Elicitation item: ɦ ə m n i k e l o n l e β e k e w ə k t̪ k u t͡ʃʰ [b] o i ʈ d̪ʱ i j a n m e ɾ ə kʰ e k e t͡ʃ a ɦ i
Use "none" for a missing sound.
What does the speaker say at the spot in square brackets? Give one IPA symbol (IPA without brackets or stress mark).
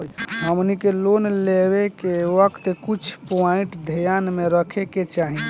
p